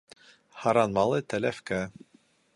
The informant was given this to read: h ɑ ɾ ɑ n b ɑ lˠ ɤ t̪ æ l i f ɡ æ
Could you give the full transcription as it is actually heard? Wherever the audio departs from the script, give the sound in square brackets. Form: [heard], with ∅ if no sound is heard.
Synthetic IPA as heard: h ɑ ɾ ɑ n [m] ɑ lˠ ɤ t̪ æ l [æ] f [k] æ